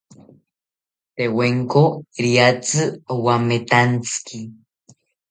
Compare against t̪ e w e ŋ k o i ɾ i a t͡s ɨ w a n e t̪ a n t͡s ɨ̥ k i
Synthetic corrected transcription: t̪ e w e ŋ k o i ɾ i a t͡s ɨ w a m e t̪ a n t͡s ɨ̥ k i